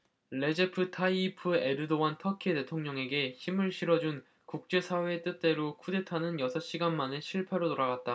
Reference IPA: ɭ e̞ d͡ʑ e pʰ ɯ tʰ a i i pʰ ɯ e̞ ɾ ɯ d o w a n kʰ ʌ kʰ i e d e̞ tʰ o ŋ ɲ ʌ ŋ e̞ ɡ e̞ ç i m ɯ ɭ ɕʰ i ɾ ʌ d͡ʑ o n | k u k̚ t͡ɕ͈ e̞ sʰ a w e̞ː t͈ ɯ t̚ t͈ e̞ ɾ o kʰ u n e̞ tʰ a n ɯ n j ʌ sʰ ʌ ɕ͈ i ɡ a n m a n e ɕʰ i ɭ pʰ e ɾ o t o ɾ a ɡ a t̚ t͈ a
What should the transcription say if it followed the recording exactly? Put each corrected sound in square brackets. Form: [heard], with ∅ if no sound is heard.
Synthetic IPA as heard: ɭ e̞ d͡ʑ e pʰ ɯ tʰ a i i pʰ ɯ e̞ ɾ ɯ d o w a n [tʰ] ʌ kʰ i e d e̞ tʰ o ŋ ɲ ʌ ŋ e̞ ɡ e̞ ç i m ɯ ɭ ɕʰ i ɾ ʌ d͡ʑ [u] n | k u k̚ t͡ɕ͈ e̞ sʰ a w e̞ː t͈ ɯ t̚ t͈ e̞ ɾ o kʰ u [d] e̞ tʰ a n ɯ n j ʌ sʰ ʌ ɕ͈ i ɡ a n m a n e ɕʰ i ɭ pʰ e ɾ o t o ɾ a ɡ a t̚ t͈ a